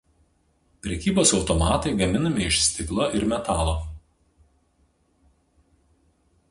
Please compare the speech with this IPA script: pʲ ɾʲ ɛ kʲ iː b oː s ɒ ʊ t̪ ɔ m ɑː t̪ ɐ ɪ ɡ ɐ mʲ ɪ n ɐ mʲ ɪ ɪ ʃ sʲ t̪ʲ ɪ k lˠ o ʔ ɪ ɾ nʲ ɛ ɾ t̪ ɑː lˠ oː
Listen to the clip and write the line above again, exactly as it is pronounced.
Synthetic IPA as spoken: pʲ ɾʲ ɛ kʲ iː b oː s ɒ ʊ t̪ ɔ m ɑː t̪ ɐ ɪ ɡ ɐ mʲ ɪ n ɐ mʲ ɪ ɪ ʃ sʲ t̪ʲ ɪ k lˠ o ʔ ɪ ɾ mʲ ɛ t̪ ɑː lˠ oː